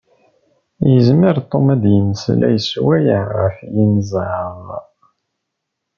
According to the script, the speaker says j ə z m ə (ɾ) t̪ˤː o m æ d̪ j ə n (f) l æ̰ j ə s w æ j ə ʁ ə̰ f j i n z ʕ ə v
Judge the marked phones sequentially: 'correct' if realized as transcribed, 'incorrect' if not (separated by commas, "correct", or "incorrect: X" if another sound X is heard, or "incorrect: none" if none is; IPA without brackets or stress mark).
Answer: correct, incorrect: s